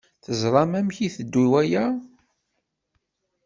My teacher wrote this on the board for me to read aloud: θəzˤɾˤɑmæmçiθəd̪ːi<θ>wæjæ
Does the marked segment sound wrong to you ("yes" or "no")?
yes